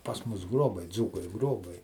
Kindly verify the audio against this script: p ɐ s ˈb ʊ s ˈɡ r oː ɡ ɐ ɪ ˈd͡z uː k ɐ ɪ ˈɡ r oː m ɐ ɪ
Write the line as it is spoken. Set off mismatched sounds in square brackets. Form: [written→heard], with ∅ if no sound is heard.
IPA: p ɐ s [ˈb→ˈm] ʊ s ˈɡ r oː [ɡ→b] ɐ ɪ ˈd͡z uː k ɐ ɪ ˈɡ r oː [m→b] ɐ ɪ